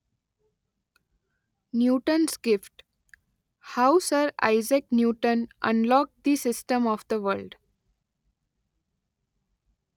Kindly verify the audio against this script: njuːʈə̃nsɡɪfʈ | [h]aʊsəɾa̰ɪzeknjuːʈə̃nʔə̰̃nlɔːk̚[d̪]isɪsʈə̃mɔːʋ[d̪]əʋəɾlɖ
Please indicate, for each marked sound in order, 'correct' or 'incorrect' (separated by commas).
correct, correct, correct